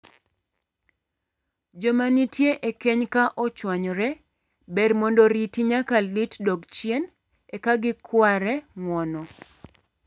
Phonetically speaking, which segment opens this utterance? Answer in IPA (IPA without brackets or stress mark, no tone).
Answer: d͡ʒ